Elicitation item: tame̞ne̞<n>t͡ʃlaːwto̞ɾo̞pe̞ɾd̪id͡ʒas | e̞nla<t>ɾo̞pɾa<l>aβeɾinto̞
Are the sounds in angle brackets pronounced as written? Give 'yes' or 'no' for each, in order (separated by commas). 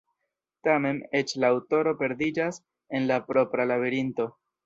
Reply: no, no, yes